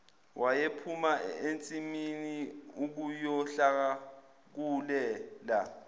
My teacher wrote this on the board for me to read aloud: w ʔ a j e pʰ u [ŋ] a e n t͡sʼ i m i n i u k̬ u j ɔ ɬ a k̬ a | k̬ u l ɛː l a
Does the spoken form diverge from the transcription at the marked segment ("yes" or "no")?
yes